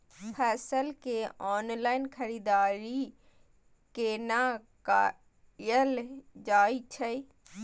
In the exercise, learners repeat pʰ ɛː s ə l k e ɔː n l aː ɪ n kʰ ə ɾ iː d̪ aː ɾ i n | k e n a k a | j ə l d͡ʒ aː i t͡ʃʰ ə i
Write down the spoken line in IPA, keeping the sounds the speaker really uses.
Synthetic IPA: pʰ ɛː s ə l k e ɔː n l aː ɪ n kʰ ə ɾ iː d̪ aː ɾ i | k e n a k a | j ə l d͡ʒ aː i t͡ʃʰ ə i